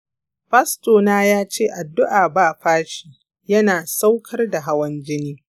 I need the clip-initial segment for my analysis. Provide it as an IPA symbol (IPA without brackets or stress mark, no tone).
ɸ